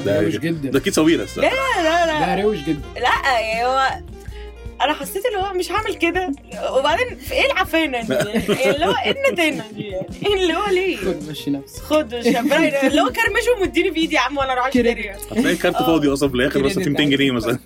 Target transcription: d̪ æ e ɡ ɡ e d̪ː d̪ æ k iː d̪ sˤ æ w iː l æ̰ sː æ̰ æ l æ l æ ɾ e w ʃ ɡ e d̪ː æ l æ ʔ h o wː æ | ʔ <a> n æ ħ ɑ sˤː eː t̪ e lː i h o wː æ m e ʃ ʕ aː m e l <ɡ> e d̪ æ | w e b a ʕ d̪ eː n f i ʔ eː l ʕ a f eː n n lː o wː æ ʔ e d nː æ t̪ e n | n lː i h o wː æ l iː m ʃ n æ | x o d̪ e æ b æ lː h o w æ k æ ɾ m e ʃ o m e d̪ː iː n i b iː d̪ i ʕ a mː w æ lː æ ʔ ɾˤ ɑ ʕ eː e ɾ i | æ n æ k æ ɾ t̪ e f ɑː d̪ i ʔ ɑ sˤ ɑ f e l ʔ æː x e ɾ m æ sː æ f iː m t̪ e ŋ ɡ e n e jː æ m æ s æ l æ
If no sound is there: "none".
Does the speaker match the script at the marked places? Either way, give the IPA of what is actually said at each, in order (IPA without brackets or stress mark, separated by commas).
æ, k